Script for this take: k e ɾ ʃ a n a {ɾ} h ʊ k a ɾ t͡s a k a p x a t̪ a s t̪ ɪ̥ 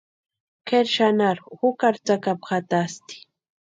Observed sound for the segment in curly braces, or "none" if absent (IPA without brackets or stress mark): ɾ